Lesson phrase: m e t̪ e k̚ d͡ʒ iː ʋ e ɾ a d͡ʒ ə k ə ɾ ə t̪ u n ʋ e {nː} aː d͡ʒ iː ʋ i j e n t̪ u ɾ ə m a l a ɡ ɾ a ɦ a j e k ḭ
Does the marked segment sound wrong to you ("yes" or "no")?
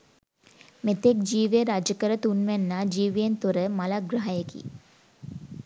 no